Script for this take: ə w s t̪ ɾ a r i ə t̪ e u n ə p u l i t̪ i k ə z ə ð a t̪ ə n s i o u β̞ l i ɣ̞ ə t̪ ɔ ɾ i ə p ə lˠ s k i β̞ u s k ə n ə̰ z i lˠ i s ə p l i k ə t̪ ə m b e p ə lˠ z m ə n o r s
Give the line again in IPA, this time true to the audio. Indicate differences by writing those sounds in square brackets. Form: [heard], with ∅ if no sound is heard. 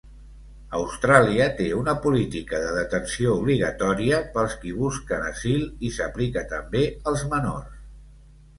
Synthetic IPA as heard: ə w s t̪ ɾ a [l] i ə t̪ e u n ə p u l i t̪ i k ə [ð] ə ð [ə] t̪ ə n s i o u β̞ l i ɣ̞ ə t̪ ɔ ɾ i ə p ə lˠ s k i β̞ u s k ə n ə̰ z i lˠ i s ə p l i k ə t̪ ə m b e [∅] ə lˠ z m ə n o r s